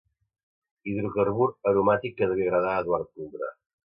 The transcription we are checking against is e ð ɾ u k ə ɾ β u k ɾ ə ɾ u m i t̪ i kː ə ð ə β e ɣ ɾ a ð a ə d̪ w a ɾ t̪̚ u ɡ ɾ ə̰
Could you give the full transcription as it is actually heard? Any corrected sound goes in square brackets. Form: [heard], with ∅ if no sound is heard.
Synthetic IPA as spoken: [i] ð ɾ u k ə ɾ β u [∅] ɾ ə ɾ u m [a] t̪ i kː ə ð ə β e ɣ ɾ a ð a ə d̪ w a ɾ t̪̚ u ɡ ɾ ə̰